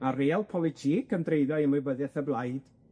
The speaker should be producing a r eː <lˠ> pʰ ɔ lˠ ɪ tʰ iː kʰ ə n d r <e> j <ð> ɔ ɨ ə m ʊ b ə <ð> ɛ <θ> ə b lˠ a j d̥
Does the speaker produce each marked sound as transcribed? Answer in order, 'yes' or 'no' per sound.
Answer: yes, yes, yes, yes, yes

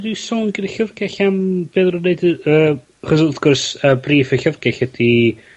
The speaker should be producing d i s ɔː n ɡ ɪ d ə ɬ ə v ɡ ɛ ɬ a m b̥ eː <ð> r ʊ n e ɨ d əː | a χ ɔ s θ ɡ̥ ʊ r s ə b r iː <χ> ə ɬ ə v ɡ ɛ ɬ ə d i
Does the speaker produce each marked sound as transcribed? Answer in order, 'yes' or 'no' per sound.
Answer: yes, no

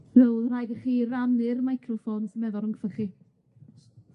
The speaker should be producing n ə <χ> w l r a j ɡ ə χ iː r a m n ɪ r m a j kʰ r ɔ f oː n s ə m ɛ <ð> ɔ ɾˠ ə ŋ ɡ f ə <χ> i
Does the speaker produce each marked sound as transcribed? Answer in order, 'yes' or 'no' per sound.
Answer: no, yes, yes

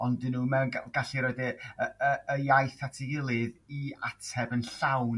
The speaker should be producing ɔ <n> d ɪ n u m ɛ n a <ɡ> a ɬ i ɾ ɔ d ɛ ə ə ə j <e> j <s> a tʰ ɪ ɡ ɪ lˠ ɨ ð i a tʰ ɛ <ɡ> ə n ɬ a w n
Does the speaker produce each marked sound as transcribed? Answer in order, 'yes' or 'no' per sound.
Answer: yes, yes, no, no, no

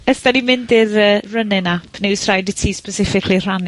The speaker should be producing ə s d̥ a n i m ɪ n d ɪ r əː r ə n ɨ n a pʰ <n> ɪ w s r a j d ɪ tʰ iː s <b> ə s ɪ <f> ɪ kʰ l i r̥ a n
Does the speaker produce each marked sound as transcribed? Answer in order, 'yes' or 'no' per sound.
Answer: yes, no, yes

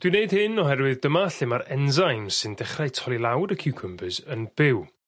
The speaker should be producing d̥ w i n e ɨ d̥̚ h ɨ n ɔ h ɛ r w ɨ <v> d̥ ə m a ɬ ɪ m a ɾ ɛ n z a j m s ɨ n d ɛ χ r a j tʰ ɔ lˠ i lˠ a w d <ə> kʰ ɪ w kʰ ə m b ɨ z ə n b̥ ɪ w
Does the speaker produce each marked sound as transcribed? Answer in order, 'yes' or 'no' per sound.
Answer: no, yes

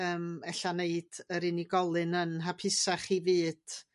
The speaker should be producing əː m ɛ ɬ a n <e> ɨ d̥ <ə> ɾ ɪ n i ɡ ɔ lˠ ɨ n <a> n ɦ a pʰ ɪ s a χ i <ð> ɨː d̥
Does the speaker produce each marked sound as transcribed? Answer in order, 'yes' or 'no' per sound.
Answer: yes, yes, no, no

